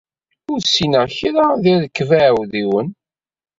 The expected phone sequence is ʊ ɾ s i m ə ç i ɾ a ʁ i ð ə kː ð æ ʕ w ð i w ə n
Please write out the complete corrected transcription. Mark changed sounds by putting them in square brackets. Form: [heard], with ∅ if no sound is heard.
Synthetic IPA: ʊ ɾ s i [n] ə ç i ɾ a [ð] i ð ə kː [v] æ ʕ w ð i w ə n